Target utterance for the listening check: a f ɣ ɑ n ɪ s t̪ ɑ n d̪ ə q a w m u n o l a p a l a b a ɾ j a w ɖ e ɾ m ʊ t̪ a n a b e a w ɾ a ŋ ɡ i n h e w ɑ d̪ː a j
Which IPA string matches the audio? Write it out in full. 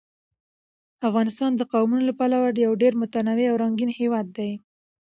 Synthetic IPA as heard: a f ɣ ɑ n ɪ s t̪ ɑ n d̪ ə q a w m u n o l a p a l a w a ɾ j a w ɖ e ɾ m ʊ t̪ a n a w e a w ɾ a ŋ ɡ i n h e w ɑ d̪ː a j